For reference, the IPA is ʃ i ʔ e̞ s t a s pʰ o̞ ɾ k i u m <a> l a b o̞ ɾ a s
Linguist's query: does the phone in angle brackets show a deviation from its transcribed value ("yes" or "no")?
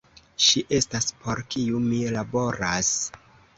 yes